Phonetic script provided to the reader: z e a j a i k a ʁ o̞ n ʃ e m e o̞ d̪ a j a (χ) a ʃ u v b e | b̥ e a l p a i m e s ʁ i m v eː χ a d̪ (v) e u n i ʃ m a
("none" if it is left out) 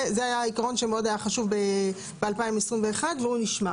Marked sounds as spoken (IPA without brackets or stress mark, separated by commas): χ, v